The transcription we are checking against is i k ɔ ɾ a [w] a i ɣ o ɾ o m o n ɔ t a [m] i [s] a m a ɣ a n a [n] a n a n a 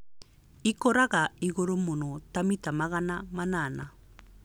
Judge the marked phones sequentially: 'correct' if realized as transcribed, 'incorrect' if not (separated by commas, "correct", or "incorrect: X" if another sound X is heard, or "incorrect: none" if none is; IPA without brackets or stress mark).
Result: incorrect: ɣ, correct, incorrect: t, incorrect: m